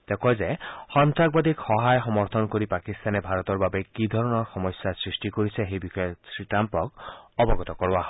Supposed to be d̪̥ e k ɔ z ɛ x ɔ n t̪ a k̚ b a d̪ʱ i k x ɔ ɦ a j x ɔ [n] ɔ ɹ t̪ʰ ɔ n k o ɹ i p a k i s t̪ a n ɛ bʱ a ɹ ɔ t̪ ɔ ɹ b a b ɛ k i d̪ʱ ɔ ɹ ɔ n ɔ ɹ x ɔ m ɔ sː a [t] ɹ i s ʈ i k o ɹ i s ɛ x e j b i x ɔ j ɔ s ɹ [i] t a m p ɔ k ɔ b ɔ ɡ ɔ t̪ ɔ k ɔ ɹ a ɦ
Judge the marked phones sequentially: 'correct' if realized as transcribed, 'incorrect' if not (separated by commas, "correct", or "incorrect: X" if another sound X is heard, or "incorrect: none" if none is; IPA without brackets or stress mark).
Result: incorrect: m, incorrect: s, correct